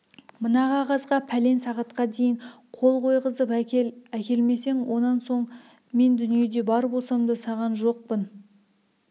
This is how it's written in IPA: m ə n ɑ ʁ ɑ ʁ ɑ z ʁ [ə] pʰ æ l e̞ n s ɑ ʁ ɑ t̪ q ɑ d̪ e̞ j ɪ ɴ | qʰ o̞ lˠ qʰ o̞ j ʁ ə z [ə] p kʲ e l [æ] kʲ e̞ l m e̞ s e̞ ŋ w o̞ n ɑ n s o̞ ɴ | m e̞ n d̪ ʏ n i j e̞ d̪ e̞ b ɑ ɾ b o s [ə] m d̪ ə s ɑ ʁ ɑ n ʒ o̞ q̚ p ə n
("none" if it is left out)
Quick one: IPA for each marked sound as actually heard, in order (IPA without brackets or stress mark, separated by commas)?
ɑ, ə, æ, ɑ